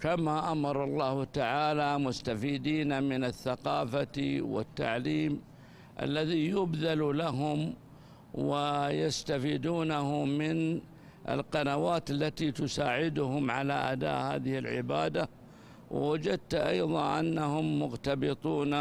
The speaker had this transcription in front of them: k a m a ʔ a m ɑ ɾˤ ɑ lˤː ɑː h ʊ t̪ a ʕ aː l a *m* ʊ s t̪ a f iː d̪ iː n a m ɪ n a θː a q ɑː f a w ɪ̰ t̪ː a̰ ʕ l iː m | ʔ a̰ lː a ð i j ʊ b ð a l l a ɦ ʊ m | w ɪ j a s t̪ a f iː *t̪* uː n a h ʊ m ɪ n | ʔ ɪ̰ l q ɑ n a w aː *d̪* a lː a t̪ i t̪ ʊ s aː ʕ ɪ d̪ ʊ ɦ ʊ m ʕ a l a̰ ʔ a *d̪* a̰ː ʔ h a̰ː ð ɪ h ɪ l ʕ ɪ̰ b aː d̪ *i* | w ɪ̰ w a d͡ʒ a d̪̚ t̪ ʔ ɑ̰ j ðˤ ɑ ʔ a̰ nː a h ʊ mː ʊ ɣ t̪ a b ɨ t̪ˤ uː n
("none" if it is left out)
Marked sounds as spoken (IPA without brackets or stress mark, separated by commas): m, d̪, t̪, d̪, a